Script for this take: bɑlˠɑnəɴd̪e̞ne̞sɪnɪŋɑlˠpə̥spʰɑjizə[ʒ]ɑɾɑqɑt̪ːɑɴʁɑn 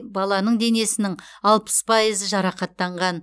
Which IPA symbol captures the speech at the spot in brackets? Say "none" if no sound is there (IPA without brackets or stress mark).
ʒ